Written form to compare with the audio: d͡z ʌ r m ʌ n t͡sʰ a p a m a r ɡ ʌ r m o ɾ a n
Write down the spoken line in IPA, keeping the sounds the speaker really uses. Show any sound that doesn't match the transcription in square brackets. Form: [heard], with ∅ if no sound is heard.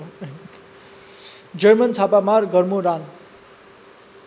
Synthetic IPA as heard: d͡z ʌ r m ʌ n t͡sʰ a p a m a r ɡ ʌ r m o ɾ a n